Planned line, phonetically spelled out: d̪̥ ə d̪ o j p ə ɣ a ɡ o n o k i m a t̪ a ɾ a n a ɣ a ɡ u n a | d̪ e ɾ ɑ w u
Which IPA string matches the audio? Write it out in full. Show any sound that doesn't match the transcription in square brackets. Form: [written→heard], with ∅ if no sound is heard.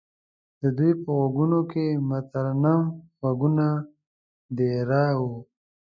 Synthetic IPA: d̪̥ ə d̪ [o→u] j p ə ɣ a ɡ [o→u] n o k [i→e] m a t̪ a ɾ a n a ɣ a ɡ u n a | d̪ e ɾ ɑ w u